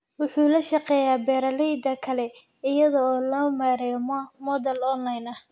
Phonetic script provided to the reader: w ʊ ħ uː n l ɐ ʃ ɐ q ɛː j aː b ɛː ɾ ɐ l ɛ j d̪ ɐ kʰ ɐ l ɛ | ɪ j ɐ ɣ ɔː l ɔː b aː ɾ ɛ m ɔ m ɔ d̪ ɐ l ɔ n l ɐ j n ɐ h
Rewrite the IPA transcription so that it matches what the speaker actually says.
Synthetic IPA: w ʊ ħ uː l ɐ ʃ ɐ q ɛː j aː b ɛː ɾ ɐ l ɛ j d̪ ɐ kʰ ɐ l ɛ | ɪ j ɐ ð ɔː l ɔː m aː ɾ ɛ m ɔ m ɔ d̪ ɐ l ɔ n l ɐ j n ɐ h